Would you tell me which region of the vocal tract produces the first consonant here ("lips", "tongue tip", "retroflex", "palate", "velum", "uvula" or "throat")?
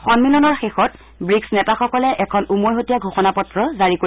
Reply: velum